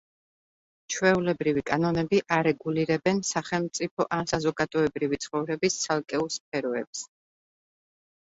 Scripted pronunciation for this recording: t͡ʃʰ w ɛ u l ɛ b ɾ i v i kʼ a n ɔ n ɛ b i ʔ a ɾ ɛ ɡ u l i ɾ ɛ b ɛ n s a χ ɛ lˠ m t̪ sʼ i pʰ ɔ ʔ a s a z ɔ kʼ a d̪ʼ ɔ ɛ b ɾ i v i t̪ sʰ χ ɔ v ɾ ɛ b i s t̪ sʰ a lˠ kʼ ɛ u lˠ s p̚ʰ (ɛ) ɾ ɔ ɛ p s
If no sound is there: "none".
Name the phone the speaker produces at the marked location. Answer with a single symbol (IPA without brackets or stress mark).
ɛ